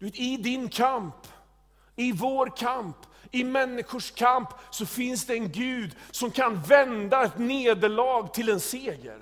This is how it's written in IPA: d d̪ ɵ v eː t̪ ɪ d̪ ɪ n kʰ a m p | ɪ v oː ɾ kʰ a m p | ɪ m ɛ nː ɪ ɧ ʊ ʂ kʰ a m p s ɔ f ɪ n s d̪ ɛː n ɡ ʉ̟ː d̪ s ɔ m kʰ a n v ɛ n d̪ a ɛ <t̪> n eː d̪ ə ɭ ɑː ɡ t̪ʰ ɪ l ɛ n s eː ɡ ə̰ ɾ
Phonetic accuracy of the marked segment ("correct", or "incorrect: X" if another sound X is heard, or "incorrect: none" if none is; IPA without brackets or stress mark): correct